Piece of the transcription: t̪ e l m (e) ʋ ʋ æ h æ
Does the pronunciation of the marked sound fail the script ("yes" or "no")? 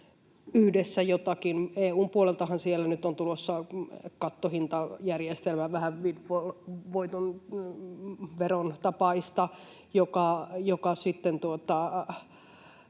yes